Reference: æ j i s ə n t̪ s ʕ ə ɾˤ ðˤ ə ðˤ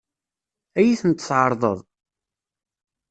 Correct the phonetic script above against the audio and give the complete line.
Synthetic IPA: æ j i θ ə n t̪ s ʕ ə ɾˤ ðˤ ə ðˤ

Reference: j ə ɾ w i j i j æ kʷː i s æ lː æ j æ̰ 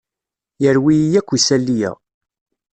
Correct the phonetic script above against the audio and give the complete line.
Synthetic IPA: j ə ɾ w i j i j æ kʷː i s æ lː i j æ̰

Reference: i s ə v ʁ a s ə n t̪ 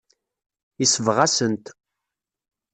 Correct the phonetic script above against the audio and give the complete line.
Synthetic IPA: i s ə v ʁ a s ə n t̪

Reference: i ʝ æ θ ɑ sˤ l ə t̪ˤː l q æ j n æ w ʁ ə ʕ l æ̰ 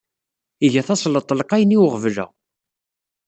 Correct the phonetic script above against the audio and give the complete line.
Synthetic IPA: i ʝ æ θ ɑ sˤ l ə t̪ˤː l q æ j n i w ʁ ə v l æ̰

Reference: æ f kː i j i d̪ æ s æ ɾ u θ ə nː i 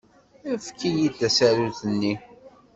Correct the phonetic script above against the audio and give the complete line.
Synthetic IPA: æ f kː i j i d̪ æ s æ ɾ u θ ə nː i

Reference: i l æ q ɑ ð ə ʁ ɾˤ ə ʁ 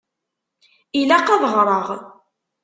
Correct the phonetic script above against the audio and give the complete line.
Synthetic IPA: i l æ q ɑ ð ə ʁ ɾˤ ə ʁ

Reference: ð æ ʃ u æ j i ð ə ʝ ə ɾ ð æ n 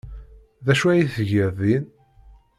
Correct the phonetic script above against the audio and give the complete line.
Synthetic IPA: ð æ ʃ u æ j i θ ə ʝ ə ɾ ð i n

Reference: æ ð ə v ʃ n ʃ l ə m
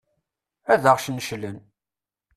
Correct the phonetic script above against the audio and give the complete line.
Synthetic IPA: æ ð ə ʁ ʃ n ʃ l ə n

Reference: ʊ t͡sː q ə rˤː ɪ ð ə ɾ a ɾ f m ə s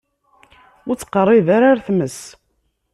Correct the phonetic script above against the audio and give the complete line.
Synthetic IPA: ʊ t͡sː q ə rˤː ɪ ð a ɾ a ɾ θ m ə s

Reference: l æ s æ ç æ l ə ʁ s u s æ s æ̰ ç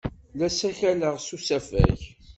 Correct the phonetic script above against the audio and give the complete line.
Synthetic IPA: l æ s æ ç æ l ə ʁ s u s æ f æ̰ ç

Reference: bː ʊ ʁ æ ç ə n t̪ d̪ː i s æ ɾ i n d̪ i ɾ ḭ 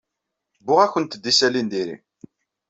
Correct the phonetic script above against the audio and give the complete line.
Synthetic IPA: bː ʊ ʁ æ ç ə n t̪ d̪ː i s æ l i n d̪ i ɾ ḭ

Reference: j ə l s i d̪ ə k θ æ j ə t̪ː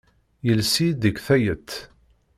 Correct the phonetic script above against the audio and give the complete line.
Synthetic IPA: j ə l s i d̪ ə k θ æ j ə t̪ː

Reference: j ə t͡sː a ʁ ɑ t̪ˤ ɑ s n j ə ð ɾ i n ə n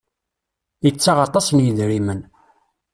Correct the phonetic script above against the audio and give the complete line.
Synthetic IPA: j ə t͡sː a ʁ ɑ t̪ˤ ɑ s n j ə ð ɾ i m ə n

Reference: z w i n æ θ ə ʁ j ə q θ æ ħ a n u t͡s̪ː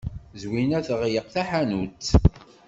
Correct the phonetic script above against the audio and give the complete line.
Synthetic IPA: z w i n æ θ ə ʁ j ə q θ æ ħ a n u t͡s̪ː

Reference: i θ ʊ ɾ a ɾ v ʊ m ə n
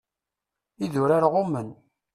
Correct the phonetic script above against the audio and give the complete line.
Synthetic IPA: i ð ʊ ɾ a ɾ ʁ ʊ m ə n

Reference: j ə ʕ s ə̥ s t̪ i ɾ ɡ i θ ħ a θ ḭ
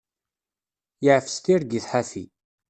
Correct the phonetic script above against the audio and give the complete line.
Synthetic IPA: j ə ʕ f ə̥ s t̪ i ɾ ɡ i θ ħ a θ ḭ

